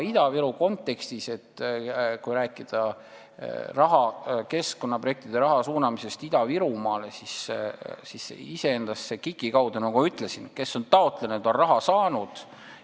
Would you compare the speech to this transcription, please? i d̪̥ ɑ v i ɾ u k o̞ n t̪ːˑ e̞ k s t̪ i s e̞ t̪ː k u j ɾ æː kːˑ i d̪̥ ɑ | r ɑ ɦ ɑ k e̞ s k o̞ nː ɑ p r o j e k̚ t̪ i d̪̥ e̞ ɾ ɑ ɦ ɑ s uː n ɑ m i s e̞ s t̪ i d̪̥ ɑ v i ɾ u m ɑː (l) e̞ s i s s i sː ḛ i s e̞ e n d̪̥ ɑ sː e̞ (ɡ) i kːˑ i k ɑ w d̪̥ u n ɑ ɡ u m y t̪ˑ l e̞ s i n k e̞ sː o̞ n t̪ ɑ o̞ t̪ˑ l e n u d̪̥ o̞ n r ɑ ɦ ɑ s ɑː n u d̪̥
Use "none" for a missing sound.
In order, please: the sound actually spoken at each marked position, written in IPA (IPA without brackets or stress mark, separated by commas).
l, k